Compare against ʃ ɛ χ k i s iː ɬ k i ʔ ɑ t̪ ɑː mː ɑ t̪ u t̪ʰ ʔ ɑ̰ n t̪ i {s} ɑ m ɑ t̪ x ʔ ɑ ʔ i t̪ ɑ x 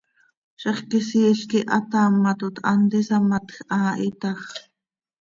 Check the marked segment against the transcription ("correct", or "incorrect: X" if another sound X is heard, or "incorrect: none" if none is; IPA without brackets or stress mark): correct